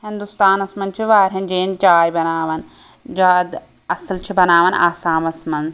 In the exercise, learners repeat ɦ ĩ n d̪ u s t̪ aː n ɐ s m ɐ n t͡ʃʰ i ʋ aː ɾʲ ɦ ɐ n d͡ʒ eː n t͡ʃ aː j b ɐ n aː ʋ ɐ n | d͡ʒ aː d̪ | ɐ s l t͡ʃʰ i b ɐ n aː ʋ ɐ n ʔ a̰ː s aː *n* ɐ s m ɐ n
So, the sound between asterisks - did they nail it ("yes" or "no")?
no